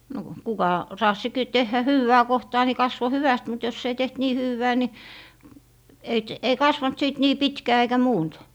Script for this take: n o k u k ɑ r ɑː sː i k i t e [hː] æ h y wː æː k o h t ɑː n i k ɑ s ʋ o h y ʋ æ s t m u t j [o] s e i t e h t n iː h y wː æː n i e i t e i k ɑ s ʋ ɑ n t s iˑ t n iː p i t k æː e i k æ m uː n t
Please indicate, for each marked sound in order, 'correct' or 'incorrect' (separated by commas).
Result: correct, correct